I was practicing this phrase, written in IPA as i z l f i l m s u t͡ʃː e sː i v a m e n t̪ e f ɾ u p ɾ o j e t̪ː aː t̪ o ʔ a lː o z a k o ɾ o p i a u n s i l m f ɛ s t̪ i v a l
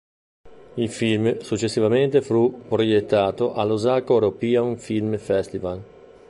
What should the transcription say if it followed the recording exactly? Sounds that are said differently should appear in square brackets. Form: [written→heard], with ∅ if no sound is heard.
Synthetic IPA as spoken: i [z→∅] l f i l m s u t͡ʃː e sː i v a m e n t̪ e f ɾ u p ɾ o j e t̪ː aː t̪ o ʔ a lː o z a k o ɾ o p i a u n [s→f] i l m f ɛ s t̪ i v a l